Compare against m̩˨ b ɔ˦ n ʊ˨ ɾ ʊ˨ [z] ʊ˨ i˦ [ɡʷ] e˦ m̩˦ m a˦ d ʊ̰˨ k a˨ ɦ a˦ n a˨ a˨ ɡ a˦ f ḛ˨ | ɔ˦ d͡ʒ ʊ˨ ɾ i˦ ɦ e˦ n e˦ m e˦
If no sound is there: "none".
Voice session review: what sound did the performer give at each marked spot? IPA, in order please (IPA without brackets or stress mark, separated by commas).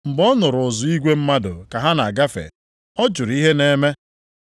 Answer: z, ɡʷ